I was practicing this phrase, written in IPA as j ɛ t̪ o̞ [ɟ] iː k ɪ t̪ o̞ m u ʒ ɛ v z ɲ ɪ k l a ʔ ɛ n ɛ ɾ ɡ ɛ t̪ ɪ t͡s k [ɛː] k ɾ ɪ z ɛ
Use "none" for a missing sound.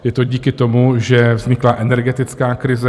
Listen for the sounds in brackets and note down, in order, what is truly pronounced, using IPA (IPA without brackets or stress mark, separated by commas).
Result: ɟ, aː